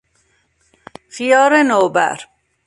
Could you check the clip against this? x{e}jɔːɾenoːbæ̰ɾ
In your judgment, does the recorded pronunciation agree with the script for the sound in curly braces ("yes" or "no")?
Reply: no